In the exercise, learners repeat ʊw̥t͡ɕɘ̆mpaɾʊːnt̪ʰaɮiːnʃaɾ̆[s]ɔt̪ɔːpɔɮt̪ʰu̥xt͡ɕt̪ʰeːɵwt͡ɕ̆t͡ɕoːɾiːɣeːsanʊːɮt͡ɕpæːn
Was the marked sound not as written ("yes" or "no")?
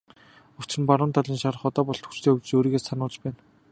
yes